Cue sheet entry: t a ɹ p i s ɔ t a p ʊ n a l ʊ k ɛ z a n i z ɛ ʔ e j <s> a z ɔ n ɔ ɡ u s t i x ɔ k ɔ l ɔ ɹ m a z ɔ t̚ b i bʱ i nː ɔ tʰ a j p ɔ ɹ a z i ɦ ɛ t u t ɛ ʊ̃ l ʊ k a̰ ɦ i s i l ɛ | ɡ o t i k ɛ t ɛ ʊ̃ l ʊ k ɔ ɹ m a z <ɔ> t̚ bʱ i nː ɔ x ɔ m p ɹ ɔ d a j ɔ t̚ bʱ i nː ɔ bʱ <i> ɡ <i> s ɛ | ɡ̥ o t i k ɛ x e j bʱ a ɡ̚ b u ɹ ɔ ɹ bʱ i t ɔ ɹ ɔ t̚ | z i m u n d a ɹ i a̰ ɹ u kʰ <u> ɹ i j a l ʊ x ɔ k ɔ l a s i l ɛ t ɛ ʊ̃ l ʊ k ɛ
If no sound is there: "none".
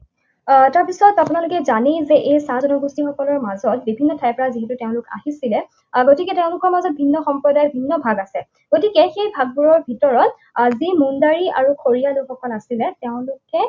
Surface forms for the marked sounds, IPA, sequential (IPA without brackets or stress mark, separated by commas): s, ɔ, a, a, o